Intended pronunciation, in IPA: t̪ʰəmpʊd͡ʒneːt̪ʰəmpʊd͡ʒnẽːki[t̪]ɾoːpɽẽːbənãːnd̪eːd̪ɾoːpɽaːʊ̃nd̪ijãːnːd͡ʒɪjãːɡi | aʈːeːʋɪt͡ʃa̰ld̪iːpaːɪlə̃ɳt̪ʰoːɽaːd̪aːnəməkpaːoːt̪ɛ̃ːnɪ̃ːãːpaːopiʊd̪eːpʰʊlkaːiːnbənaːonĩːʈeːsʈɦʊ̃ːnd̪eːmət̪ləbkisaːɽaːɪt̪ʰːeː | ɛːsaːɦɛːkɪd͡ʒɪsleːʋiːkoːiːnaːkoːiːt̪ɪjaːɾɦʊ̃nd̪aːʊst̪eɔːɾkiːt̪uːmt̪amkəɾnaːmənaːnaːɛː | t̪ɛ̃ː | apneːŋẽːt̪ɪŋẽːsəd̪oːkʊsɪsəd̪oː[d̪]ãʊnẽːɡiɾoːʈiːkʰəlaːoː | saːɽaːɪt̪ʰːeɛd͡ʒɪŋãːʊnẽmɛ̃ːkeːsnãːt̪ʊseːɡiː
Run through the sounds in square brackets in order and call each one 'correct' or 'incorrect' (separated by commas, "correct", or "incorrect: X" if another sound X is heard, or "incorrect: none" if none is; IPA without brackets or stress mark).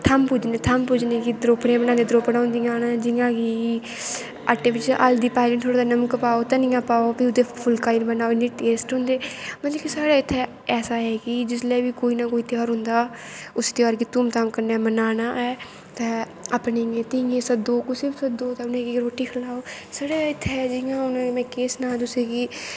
incorrect: d̪, incorrect: t̪